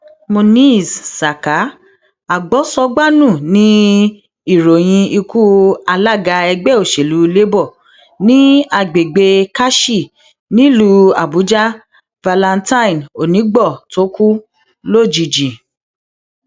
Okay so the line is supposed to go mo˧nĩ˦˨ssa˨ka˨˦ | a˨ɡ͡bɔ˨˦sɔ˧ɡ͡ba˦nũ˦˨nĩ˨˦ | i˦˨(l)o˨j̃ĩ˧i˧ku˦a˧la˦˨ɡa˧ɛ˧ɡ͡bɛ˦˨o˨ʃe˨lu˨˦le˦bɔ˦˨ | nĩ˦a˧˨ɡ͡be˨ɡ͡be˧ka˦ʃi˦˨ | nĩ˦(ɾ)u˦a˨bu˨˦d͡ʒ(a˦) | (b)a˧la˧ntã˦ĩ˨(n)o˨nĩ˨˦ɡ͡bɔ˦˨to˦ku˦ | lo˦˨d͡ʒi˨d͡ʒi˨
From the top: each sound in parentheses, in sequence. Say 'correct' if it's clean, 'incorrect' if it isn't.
incorrect: ɾ, incorrect: l, correct, incorrect: v, correct

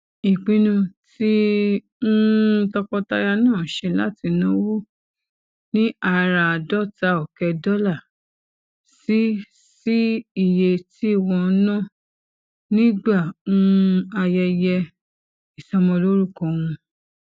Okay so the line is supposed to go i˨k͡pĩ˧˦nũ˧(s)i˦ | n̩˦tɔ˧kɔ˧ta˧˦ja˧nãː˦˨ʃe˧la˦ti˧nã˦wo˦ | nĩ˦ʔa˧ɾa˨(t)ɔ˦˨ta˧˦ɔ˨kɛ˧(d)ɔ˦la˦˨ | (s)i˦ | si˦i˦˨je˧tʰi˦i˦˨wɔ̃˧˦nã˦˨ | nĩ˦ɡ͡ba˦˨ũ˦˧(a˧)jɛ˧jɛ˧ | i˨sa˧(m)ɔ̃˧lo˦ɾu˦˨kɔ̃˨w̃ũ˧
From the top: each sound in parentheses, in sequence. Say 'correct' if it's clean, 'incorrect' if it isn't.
incorrect: t, incorrect: d, correct, correct, correct, correct

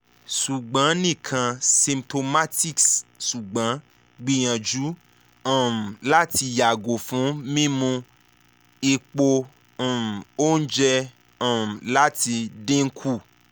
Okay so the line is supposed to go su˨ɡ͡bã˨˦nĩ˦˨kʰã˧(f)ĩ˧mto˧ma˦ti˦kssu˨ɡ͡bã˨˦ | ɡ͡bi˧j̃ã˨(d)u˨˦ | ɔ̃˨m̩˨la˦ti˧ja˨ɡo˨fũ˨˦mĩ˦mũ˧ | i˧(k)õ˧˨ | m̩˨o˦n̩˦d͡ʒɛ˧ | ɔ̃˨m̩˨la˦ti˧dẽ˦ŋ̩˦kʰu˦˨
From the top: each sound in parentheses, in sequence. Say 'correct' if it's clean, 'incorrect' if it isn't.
incorrect: s, incorrect: d͡ʒ, incorrect: k͡p

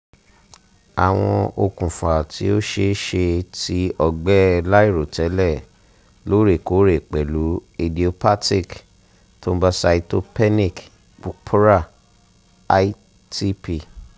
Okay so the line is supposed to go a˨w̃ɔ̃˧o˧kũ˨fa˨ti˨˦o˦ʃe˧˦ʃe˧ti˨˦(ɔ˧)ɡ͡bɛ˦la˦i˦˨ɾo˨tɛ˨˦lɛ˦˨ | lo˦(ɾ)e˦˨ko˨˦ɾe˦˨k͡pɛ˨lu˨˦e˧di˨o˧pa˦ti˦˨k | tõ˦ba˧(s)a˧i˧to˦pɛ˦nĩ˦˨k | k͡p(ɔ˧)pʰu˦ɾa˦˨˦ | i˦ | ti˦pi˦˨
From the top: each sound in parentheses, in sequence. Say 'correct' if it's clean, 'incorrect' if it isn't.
correct, correct, correct, incorrect: u˧

